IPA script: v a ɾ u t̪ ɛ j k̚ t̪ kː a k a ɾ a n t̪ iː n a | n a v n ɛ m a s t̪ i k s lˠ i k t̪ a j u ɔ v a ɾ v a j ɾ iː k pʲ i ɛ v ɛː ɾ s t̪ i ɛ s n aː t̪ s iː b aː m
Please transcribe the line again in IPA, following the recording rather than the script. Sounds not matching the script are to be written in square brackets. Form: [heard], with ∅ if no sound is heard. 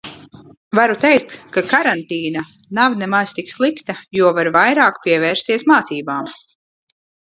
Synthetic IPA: v a ɾ u t̪ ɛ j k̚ t̪ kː a k a ɾ a n t̪ iː n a | n a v n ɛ m a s t̪ i k s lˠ i k t̪ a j u ɔ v a ɾ v a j ɾ [aː] k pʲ i ɛ v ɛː ɾ s t̪ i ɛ s [m] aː t̪ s iː b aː m